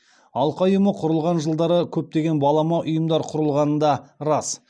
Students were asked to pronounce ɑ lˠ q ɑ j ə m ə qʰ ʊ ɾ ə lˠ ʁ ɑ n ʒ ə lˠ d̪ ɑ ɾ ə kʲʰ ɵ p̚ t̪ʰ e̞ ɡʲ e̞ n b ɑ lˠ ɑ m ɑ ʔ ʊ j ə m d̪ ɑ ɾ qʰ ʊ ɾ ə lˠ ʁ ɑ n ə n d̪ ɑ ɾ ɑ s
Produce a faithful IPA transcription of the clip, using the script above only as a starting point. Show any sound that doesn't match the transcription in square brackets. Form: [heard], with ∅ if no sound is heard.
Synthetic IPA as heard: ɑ lˠ q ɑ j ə m ə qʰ ʊ ɾ ə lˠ ʁ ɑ n ʒ ə lˠ d̪ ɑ ɾ ə kʲʰ ɵ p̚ [t̪] e̞ ɡʲ e̞ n b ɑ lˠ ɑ m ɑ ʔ ʊ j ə m d̪ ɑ ɾ qʰ ʊ ɾ ə lˠ ʁ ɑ n ə n d̪ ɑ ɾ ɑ s